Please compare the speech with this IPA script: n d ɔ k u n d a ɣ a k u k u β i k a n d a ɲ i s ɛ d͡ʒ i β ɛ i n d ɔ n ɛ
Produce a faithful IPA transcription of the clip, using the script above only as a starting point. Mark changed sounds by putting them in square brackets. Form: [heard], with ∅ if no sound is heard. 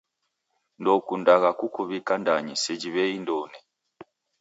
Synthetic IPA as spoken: n d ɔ k u n d a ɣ a k u k u β i k a n d a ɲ i s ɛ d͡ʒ i β ɛ i n d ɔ n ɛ

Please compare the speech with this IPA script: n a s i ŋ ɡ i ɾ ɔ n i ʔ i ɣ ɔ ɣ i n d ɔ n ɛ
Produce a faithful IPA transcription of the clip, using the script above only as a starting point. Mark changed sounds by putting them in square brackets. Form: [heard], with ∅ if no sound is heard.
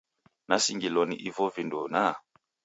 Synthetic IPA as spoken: n a s i ŋ ɡ i [l] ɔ n i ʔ i [v] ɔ [v] i n d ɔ n [a]

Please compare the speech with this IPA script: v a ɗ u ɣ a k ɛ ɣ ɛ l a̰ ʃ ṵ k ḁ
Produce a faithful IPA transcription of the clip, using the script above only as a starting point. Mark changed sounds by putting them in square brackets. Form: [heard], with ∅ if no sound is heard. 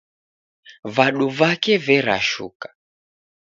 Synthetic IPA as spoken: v a ɗ u [v] a k ɛ [v] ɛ [ɾ] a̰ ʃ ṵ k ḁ

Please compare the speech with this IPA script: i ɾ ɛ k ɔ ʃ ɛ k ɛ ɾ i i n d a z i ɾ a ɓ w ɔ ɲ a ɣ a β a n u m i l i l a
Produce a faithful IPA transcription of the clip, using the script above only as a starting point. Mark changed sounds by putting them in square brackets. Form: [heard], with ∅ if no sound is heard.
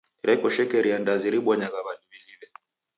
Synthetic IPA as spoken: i ɾ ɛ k ɔ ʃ ɛ k ɛ ɾ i [a] n d a z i ɾ [i] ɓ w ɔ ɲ a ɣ a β a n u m i l i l [ɛ]

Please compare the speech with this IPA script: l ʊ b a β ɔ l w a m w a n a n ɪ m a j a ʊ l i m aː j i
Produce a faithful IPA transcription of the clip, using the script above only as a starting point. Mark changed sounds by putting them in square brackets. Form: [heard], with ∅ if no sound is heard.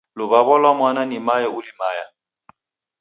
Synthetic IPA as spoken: l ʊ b a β ɔ l w a m w a n a n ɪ m a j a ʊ l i m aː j [a]

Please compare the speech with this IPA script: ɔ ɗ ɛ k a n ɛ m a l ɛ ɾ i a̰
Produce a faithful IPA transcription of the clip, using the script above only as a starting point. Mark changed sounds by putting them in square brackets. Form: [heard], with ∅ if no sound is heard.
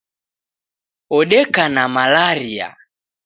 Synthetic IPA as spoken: ɔ ɗ ɛ k a n [a] m a l [a] ɾ i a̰

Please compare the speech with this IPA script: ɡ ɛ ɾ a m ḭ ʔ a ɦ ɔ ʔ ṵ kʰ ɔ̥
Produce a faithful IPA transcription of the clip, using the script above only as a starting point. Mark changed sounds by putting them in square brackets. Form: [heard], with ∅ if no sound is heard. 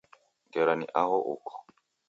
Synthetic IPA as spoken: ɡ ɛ ɾ a [n] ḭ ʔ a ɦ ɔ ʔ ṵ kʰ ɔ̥

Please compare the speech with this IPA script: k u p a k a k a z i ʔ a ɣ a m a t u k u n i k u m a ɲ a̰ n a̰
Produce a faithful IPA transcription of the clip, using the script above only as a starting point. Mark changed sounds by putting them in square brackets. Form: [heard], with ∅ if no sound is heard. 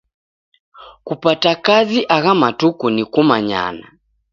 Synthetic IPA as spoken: k u p a [t] a k a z i ʔ a ɣ a m a t u k u n i k u m a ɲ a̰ n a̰

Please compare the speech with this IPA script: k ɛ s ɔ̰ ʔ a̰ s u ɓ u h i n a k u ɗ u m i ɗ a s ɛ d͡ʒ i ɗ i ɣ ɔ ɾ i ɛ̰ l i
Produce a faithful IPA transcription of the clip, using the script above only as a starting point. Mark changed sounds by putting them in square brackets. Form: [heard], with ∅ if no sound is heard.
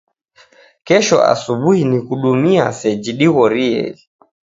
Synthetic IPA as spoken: k ɛ [ʃ] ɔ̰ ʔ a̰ s u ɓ u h i n [i] k u ɗ u m i [∅] a s ɛ d͡ʒ i ɗ i ɣ ɔ ɾ i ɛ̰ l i

